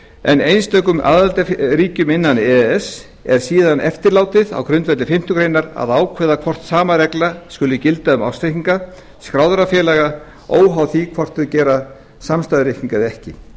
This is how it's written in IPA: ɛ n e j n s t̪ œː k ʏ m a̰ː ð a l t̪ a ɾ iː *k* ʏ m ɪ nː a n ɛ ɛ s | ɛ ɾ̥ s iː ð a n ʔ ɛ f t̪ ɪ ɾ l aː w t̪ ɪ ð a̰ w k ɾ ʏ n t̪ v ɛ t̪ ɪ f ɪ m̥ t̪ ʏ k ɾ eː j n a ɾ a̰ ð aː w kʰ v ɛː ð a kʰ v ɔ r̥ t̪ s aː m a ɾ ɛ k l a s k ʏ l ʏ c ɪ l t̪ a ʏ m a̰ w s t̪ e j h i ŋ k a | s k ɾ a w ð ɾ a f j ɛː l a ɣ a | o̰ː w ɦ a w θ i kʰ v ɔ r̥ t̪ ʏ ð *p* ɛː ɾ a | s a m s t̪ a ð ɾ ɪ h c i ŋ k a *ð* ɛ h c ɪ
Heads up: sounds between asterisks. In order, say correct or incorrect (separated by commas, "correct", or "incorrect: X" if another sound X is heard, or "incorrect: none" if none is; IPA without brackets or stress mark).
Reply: incorrect: c, incorrect: c, correct